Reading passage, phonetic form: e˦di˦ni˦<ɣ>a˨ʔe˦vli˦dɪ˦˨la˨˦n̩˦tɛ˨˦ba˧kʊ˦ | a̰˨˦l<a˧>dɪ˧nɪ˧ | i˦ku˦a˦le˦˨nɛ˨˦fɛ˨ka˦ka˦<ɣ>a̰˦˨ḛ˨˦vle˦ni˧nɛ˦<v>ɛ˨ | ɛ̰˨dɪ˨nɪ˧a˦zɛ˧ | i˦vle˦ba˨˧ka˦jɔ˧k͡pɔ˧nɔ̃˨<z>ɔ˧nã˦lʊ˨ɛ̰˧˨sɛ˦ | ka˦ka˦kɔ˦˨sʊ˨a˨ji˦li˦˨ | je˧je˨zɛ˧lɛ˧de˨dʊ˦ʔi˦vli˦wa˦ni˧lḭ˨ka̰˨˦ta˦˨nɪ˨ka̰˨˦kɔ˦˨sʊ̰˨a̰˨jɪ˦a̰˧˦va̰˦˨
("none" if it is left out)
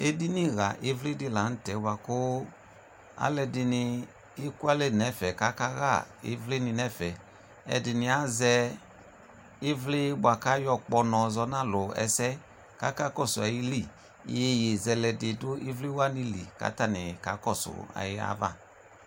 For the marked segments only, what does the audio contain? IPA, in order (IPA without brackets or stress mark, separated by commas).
ɣ, ɛ˧, ɣ, f, z